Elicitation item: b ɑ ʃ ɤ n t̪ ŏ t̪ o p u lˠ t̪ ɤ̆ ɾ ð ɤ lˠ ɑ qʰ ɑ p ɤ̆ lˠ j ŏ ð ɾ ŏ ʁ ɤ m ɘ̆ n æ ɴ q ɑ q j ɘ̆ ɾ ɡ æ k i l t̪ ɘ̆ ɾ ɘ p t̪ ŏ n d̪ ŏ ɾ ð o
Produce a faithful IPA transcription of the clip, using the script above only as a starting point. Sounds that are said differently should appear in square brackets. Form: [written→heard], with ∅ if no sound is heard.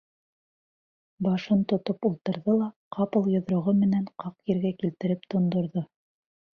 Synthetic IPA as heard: b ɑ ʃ ɤ n t̪ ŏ t̪ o p u lˠ t̪ ɤ̆ ɾ ð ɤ lˠ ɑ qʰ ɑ p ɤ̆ lˠ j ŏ ð ɾ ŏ ʁ ɤ m ɘ̆ n æ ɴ q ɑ q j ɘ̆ ɾ ɡ æ k i l t̪ ɘ̆ ɾ ɘ p t̪ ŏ n d̪ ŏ ɾ ð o